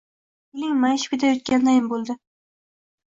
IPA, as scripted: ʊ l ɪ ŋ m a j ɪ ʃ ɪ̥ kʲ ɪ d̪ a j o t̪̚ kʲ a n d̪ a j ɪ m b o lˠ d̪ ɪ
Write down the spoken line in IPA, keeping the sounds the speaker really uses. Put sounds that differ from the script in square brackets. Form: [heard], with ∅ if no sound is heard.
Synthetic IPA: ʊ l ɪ ŋ m a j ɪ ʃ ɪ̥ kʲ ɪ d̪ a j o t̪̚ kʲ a n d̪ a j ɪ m b o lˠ d̪ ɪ